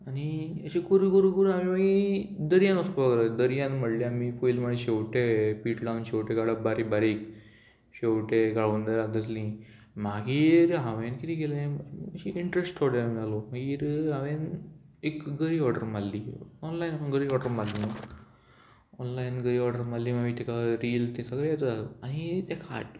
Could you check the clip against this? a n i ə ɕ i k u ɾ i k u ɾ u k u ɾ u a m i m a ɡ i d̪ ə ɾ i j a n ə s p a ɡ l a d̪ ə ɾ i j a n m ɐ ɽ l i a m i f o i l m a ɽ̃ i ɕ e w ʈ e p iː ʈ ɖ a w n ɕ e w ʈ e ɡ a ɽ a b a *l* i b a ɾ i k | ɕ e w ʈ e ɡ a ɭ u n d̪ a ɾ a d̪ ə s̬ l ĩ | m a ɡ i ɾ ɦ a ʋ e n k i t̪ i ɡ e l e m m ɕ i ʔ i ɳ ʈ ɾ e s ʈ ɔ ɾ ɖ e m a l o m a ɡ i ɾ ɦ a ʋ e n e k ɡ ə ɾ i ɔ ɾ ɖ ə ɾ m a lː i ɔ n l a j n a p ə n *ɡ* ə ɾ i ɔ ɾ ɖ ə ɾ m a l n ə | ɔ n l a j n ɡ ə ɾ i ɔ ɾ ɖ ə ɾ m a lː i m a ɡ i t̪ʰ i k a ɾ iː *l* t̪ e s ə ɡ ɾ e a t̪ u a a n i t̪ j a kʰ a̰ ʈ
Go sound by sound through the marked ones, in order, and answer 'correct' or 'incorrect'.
incorrect: ɾ, correct, correct

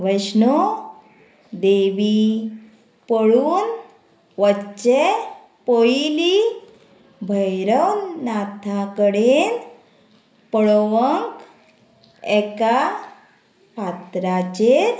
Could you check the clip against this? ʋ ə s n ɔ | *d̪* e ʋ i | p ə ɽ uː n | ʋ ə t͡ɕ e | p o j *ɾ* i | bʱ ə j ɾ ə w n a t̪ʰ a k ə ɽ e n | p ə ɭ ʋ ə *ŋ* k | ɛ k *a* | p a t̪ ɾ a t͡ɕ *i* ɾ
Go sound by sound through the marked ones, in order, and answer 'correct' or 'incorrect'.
correct, incorrect: l, correct, correct, incorrect: e

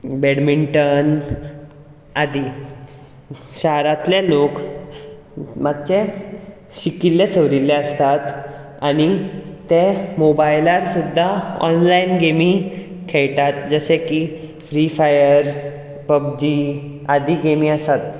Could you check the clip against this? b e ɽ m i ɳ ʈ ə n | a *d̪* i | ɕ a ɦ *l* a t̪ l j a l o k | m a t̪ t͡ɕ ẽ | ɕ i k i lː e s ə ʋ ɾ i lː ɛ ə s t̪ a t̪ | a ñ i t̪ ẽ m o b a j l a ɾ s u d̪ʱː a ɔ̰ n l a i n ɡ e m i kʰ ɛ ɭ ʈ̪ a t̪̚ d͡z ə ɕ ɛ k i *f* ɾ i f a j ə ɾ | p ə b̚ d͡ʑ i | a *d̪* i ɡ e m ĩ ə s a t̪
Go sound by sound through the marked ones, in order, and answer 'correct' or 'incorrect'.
correct, incorrect: ɾ, correct, correct

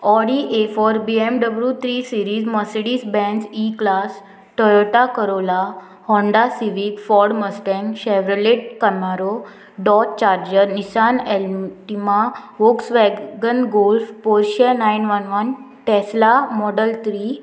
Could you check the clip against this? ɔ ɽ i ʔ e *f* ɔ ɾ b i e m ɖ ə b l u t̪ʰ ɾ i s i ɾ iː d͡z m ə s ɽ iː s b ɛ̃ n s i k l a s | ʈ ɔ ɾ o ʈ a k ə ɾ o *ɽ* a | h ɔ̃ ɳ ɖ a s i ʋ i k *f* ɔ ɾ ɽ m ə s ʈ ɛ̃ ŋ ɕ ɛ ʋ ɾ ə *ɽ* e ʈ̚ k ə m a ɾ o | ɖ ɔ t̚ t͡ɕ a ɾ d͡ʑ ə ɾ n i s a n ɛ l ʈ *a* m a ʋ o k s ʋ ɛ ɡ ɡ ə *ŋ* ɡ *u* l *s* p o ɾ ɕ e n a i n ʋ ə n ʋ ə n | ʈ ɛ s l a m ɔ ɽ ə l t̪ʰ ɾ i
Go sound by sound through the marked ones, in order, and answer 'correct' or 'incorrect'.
correct, incorrect: l, correct, incorrect: l, incorrect: i, incorrect: n, incorrect: o, incorrect: f

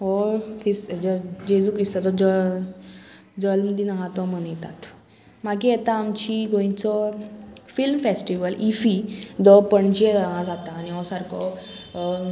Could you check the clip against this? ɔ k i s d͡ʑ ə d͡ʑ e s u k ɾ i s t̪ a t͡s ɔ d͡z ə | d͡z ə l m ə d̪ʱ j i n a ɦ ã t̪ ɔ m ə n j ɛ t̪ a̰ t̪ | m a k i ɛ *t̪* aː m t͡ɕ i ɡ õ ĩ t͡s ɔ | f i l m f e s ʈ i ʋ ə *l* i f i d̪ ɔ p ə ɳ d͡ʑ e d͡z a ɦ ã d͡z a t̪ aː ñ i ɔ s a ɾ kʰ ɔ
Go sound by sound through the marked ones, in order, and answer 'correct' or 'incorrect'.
correct, correct

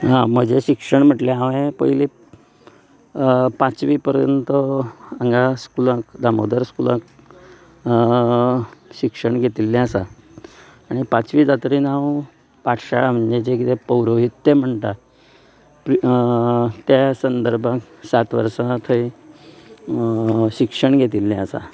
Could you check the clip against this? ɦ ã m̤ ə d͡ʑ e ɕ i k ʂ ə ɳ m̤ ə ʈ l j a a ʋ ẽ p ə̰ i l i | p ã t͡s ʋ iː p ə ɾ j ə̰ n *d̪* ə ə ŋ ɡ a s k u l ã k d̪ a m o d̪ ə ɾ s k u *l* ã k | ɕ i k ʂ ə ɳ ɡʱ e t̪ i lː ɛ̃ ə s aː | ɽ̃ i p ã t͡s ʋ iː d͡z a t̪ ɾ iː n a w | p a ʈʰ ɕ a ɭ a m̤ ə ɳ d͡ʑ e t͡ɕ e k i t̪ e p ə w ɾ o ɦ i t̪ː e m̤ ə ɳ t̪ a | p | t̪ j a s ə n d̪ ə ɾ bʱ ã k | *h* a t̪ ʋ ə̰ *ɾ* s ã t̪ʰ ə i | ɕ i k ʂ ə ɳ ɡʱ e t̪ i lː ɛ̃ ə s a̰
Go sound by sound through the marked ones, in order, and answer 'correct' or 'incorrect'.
incorrect: t̪, correct, incorrect: s, correct

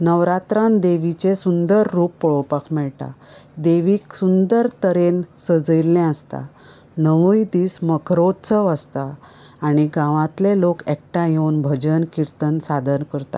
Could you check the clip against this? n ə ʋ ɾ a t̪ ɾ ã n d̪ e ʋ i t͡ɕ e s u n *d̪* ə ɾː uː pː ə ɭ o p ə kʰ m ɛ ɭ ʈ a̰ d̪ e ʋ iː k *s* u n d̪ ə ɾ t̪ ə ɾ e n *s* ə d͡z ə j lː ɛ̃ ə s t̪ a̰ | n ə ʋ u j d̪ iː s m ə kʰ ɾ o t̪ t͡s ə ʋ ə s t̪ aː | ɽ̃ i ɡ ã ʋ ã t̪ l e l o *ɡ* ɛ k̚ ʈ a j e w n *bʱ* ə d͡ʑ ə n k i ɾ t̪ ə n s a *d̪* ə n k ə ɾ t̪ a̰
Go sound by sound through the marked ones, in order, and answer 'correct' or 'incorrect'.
correct, correct, correct, incorrect: k, correct, correct

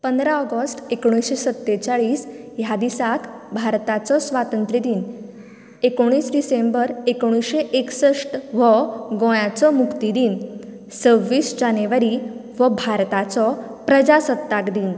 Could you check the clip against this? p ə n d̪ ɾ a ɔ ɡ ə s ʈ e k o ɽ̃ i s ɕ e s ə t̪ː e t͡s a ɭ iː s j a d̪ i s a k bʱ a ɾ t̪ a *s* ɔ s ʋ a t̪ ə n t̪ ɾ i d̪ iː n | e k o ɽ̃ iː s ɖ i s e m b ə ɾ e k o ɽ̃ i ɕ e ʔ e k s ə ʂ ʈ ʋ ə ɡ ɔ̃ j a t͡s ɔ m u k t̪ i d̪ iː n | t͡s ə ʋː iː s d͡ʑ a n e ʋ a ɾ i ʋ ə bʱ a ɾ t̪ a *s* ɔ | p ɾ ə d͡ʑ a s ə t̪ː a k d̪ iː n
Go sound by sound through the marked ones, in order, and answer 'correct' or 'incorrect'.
incorrect: t͡s, incorrect: t͡s

